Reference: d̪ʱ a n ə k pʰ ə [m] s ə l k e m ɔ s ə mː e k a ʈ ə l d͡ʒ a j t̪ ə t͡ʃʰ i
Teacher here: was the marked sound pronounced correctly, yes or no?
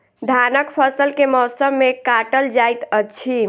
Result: no